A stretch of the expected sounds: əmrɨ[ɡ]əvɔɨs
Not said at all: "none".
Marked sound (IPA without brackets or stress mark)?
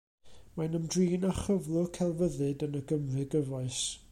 ɡ